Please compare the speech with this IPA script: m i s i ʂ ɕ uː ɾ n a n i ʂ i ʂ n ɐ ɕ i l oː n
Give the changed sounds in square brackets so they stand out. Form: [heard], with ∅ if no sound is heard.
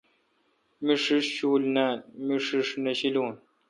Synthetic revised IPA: m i [ʂ] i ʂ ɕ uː [l] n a [m] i ʂ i ʂ n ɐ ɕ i l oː n